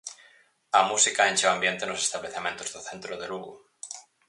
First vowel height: low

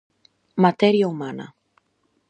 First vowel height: low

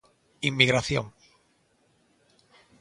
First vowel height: high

